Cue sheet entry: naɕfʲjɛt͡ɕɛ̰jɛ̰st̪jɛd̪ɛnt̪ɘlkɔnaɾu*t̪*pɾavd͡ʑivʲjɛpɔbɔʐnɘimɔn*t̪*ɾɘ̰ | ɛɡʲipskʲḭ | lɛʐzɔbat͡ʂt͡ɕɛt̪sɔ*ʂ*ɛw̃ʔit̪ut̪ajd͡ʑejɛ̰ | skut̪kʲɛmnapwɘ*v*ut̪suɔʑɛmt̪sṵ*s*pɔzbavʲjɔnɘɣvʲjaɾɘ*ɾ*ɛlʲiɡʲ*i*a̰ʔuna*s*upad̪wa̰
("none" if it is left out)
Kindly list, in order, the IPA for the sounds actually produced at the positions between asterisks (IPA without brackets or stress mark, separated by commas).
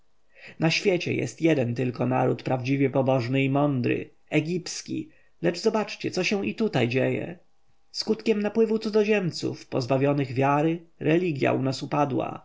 t̪, d̪, ɕ, v, f, ɾ, j, s